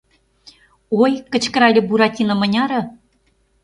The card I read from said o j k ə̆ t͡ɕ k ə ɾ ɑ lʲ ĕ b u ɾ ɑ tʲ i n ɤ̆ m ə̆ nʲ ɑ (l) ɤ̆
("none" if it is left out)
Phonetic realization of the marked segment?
ɾ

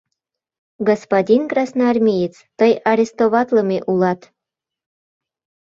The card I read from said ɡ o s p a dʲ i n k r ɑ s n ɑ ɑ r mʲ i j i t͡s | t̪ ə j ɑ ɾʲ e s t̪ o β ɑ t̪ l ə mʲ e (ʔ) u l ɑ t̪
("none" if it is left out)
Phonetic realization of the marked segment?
ʔ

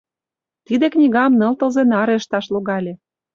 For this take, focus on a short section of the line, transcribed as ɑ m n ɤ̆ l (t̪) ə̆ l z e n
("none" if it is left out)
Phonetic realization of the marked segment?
t̪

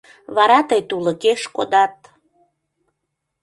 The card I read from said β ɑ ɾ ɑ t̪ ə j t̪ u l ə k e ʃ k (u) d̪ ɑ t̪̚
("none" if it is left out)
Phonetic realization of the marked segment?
o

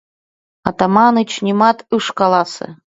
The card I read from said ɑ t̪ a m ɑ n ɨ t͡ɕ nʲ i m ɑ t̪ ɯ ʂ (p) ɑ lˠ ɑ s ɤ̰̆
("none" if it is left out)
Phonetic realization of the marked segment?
k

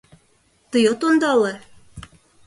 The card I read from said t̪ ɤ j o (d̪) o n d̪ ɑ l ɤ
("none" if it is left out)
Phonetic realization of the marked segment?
t̪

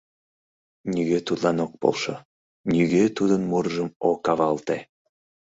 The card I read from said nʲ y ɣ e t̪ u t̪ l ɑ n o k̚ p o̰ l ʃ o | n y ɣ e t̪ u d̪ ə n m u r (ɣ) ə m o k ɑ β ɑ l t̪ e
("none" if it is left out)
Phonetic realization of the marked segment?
ʒ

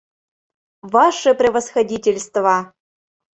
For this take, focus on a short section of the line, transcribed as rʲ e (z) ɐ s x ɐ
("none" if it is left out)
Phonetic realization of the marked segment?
v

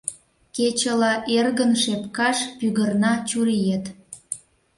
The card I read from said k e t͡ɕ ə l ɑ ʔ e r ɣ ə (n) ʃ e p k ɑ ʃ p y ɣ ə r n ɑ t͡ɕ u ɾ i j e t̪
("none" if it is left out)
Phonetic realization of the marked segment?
n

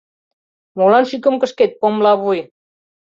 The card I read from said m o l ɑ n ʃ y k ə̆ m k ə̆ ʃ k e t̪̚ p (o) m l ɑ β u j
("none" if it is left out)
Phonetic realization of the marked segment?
o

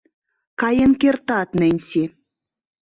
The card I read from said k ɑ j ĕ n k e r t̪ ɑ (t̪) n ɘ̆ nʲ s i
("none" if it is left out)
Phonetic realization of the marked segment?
t̪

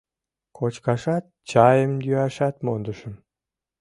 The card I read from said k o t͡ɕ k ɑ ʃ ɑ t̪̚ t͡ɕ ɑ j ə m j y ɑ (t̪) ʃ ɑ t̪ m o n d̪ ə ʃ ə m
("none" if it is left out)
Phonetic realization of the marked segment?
none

